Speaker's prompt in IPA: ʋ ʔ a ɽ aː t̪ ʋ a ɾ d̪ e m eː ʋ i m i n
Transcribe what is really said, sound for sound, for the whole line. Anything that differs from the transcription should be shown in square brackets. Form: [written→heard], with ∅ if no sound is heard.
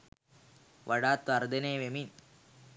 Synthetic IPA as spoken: ʋ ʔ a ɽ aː t̪ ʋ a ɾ d̪ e [m→n] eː ʋ [i→e] m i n